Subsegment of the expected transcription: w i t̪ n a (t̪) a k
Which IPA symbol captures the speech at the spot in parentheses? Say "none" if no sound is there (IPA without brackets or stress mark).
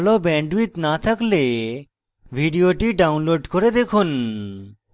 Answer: t̪ʰ